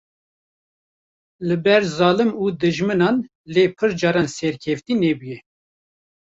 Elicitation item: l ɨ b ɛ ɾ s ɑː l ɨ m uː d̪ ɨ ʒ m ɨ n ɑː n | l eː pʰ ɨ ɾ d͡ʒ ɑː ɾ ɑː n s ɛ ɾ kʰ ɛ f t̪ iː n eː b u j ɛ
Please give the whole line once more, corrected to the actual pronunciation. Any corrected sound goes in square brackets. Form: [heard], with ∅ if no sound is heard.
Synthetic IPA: l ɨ b ɛ ɾ [z] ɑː l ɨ m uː d̪ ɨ ʒ m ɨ n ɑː n | l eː pʰ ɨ ɾ d͡ʒ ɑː ɾ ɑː n s ɛ ɾ kʰ ɛ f t̪ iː n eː b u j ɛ

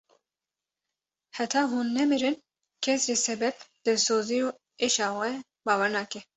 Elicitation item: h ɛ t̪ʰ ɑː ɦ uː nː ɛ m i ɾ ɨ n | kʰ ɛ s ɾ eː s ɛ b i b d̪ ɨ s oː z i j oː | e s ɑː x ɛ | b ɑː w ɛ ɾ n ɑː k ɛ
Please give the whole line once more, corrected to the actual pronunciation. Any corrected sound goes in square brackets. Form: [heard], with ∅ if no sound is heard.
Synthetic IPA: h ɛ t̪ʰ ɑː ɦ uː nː ɛ m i ɾ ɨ n | kʰ ɛ s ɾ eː s ɛ b [ɛ] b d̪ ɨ s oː z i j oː | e [ʃ] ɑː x ɛ | b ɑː w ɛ ɾ n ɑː k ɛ

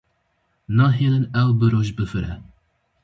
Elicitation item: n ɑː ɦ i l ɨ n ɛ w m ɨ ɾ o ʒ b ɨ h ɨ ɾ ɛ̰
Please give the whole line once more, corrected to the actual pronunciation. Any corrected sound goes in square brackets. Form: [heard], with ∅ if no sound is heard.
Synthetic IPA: n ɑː ɦ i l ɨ n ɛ w [b] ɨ ɾ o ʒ b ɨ [f] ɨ ɾ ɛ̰

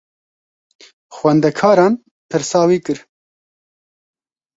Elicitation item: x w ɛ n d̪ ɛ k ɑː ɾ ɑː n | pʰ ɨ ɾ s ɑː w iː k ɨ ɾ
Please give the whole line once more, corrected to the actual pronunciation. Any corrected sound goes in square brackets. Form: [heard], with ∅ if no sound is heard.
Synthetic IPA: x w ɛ n d̪ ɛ [kʰ] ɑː ɾ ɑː n | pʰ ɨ ɾ s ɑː w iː k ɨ ɾ

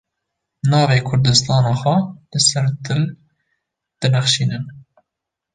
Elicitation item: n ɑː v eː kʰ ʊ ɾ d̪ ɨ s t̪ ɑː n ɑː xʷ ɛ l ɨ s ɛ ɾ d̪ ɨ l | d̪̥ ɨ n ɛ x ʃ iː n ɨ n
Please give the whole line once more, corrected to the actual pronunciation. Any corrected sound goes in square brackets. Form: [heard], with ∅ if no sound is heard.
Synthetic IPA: n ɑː v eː kʰ ʊ ɾ d̪ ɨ s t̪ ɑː n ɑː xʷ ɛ l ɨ s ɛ ɾ d̪ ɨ l | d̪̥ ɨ n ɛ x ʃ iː n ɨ n

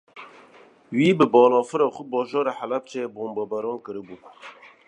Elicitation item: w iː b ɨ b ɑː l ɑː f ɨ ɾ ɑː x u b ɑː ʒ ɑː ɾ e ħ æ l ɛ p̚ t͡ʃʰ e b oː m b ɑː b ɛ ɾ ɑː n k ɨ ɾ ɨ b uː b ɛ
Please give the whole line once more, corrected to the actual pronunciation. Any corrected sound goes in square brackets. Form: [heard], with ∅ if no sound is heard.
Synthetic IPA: w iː b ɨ b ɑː l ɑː f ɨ ɾ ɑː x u b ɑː ʒ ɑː ɾ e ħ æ l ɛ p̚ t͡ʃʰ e b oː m b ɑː b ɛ ɾ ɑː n k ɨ ɾ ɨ b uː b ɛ

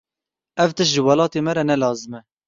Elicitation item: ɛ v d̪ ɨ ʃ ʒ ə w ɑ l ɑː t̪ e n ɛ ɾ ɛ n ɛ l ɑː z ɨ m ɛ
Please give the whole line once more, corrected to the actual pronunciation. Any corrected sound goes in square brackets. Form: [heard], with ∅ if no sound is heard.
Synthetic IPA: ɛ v [t̪] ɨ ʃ ʒ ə w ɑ l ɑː t̪ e [m] ɛ ɾ ɛ n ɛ l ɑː z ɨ m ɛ

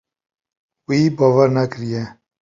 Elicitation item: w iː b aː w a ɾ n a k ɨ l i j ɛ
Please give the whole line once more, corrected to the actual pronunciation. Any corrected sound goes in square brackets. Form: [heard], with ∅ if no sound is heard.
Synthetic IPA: w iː b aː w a ɾ n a k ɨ [ɾ] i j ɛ

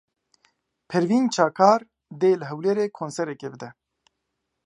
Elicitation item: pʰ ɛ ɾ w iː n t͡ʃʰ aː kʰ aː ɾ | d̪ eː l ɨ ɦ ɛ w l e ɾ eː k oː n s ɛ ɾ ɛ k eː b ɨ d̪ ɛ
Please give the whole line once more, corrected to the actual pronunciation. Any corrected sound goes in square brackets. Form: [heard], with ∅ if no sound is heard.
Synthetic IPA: pʰ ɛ ɾ [v] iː n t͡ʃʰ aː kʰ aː ɾ | d̪ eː l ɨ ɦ ɛ w l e ɾ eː [kʰ] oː n s ɛ ɾ ɛ k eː b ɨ d̪ ɛ

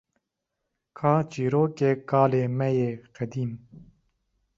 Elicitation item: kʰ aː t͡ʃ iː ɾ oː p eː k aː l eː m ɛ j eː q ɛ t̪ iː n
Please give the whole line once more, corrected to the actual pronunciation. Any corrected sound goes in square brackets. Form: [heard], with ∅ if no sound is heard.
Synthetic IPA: kʰ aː t͡ʃ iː ɾ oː [k] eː k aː l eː m ɛ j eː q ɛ [d̪] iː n

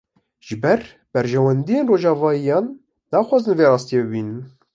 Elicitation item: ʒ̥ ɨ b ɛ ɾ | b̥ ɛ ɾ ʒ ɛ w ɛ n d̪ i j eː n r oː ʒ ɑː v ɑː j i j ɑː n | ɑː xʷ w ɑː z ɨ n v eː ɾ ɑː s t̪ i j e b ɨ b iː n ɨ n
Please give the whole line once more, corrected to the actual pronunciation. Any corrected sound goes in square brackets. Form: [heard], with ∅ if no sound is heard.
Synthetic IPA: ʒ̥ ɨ b ɛ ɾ | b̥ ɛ ɾ ʒ ɛ w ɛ n d̪ i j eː n r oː ʒ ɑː v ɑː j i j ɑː [nː] | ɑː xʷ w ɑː z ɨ n v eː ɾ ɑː s t̪ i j e b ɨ b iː n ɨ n

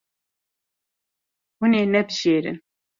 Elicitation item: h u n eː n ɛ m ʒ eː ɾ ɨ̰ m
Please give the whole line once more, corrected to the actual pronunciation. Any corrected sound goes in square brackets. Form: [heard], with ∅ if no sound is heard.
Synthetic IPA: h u n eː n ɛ [b] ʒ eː ɾ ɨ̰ [n]

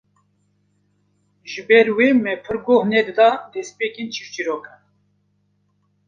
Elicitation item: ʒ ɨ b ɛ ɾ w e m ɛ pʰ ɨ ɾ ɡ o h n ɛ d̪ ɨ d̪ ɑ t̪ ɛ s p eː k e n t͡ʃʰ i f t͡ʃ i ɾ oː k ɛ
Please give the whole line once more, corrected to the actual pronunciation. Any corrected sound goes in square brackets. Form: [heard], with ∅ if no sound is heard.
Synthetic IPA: ʒ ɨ b ɛ ɾ w e m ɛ pʰ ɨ ɾ ɡ o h n ɛ d̪ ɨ d̪ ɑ [d̪] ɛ s p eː k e n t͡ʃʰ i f t͡ʃ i ɾ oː k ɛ

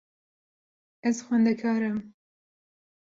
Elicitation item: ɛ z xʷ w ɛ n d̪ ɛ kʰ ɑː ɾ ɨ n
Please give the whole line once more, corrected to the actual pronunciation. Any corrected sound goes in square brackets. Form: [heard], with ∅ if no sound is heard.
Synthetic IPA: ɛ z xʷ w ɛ n d̪ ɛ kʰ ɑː ɾ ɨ [m]

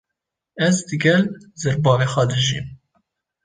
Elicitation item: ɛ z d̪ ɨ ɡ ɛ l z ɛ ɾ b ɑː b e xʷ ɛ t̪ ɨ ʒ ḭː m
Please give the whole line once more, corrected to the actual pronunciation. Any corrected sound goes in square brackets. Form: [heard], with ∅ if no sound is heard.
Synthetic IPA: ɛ z d̪ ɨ ɡ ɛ l z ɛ ɾ b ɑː [v] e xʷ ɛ [d̪] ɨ ʒ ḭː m

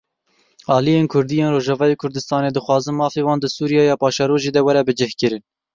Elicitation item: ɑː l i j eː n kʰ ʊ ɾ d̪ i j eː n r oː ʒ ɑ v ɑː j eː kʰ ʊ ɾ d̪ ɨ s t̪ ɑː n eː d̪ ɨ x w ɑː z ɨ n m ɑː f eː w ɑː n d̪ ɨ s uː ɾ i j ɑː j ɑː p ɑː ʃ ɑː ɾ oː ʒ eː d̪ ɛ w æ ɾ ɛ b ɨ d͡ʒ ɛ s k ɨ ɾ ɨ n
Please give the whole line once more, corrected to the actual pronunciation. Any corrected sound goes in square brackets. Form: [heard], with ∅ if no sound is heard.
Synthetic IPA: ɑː l i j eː n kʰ ʊ ɾ d̪ i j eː n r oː ʒ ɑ v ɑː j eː kʰ ʊ ɾ d̪ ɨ s t̪ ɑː n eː d̪ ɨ x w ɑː z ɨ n m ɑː f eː w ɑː n d̪ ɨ s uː ɾ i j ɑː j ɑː p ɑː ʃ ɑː ɾ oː ʒ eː d̪ ɛ w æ ɾ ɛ b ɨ d͡ʒ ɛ [h] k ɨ ɾ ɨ n

